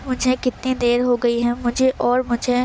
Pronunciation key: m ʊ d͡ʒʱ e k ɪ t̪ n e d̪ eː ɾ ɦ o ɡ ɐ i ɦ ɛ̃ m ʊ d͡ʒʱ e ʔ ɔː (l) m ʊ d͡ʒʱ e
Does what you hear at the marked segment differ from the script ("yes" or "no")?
yes